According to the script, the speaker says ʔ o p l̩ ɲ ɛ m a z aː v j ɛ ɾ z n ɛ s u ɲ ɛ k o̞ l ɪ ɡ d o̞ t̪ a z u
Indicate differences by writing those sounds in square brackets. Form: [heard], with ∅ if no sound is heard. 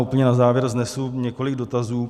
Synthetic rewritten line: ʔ [u] p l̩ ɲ ɛ [n] a z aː v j ɛ ɾ z n ɛ s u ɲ ɛ k o̞ l ɪ ɡ d o̞ t̪ a z [uː]